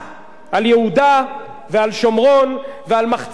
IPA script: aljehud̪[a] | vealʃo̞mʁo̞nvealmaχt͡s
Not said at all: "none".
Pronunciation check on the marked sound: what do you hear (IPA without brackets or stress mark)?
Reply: a